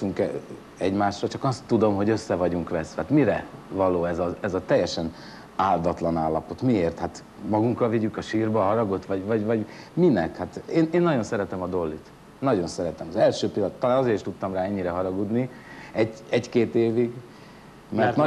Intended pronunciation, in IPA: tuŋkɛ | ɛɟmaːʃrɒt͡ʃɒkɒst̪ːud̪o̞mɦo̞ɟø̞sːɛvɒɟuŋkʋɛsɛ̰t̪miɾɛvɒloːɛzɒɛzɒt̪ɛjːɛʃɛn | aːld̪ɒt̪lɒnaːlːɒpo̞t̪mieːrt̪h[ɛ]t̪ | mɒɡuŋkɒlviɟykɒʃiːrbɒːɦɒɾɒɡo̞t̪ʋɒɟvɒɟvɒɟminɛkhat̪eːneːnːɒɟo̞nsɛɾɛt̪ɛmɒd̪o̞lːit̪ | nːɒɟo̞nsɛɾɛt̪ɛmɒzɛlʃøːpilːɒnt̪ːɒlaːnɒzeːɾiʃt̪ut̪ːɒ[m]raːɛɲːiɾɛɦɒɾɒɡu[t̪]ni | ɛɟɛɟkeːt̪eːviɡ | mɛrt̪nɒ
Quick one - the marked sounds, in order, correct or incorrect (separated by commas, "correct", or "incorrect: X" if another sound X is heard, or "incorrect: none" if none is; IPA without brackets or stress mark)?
incorrect: a, correct, incorrect: d̪